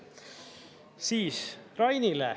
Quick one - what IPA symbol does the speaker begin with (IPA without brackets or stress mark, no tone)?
s